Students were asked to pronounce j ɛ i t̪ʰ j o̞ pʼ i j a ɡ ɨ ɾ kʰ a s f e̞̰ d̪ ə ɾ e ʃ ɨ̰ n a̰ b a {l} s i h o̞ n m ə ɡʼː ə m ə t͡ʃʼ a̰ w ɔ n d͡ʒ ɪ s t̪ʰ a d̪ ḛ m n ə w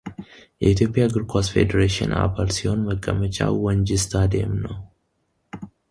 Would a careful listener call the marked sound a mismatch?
no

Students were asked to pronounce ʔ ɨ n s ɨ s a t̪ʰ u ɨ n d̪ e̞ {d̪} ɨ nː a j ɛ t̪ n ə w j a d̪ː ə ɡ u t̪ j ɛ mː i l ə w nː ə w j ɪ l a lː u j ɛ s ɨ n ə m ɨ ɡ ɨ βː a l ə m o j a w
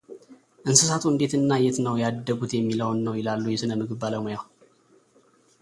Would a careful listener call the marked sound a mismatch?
yes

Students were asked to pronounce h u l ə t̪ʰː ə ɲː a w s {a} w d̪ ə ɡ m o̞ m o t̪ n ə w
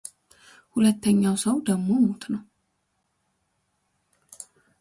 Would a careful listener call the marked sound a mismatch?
yes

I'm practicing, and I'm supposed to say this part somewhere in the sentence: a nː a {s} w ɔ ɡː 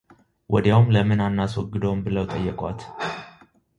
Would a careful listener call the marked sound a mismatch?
no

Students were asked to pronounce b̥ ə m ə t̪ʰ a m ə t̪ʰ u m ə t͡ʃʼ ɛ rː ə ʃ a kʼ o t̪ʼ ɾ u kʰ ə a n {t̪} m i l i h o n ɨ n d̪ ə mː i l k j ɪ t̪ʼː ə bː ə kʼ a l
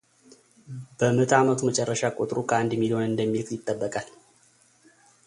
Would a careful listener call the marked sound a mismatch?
yes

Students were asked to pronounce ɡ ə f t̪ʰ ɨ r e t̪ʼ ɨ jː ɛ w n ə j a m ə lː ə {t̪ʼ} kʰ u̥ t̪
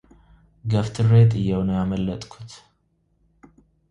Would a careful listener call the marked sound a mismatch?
no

